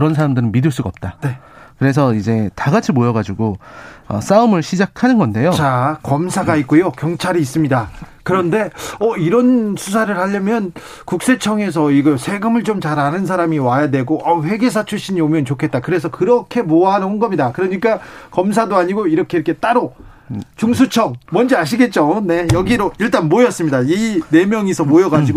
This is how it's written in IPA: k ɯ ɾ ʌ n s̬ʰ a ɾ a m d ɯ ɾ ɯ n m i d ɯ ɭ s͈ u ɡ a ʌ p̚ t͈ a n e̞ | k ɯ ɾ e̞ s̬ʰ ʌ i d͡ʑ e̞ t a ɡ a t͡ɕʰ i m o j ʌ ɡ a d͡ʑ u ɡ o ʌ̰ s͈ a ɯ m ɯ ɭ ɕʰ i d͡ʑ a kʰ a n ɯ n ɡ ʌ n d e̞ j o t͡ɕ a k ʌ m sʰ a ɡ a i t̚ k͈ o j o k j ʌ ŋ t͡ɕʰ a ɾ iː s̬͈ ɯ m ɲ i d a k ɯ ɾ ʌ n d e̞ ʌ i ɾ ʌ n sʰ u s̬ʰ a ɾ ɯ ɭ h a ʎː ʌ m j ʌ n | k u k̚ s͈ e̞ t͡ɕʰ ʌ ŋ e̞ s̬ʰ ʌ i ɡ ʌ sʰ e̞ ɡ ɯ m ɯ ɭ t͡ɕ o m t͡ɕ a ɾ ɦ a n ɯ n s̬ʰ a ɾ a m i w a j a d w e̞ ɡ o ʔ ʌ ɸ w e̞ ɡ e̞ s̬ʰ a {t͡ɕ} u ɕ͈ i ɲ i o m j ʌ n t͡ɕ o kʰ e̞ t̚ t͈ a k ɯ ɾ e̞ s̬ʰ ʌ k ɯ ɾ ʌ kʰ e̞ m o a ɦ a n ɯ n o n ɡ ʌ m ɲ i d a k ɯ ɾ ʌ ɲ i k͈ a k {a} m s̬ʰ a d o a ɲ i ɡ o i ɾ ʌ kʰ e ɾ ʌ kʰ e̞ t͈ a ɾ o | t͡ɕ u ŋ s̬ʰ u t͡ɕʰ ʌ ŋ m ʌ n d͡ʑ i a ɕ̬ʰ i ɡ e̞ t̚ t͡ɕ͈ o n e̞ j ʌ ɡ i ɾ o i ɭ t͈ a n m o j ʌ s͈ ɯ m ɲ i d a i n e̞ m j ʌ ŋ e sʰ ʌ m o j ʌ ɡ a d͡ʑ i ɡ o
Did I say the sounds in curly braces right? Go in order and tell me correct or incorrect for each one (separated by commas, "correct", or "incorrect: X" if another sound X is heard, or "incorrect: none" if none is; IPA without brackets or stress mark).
incorrect: t͡ɕʰ, incorrect: ʌ